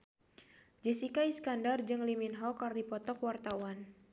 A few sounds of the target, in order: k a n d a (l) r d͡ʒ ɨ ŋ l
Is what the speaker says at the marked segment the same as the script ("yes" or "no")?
no